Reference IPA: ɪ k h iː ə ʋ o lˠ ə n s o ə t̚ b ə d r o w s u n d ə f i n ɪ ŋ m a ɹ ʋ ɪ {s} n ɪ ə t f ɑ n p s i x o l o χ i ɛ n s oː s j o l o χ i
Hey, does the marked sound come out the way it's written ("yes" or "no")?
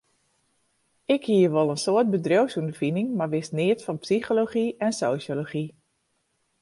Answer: yes